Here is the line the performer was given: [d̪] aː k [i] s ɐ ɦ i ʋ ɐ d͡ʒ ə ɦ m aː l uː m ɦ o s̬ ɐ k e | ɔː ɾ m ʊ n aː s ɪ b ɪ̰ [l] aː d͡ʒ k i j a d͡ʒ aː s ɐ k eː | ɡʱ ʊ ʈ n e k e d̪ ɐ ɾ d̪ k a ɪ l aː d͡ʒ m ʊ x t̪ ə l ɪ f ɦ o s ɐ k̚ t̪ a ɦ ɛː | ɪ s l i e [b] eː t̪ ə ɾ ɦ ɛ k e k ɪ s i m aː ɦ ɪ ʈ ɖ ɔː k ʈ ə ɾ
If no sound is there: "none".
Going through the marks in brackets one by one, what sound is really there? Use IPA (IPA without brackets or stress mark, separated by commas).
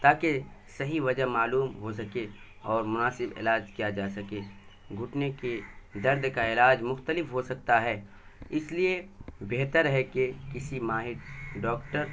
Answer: t̪, e, l, b